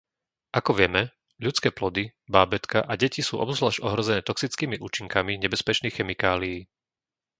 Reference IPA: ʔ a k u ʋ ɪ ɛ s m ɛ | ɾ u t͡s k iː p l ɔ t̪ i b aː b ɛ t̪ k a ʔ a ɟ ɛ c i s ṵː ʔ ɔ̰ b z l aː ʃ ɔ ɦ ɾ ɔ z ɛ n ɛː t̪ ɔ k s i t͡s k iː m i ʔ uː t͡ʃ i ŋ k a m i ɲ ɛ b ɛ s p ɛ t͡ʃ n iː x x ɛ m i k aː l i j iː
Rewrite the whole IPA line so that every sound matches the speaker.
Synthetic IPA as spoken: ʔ a k ɔ ʋ ɪ ɛ m ɛ | ʎ u t͡s k ɛː p l ɔ d̪ i b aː b ɛ t̪ k a ʔ a ɟ ɛ c i s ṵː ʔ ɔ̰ b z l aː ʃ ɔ ɦ ɾ ɔ z ɛ n ɛː t̪ ɔ k s i t͡s k iː m i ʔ uː t͡ʃ i ŋ k a m i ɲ ɛ b ɛ s p ɛ t͡ʃ n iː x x ɛ m i k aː l i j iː